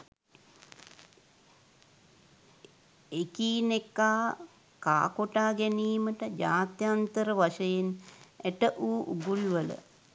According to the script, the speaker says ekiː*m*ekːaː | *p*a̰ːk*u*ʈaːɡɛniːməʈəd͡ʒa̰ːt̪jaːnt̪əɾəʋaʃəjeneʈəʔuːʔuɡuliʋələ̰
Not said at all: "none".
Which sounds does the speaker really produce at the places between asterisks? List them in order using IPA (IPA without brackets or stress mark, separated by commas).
n, k, o